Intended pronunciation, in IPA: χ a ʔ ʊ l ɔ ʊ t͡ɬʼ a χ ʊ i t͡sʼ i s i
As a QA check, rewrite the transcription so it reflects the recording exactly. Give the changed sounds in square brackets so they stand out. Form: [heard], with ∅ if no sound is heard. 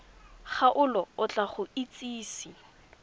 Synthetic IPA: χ a ʔ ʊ l ɔ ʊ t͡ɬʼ a χ ʊ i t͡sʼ [iː] s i